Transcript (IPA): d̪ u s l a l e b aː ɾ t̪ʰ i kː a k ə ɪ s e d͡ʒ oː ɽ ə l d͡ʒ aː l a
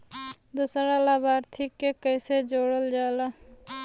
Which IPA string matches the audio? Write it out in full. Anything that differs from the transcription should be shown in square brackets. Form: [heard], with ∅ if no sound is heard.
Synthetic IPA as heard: d̪ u s [ɾ] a l [a] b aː ɾ t̪ʰ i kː [e] k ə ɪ s e d͡ʒ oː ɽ ə l d͡ʒ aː l a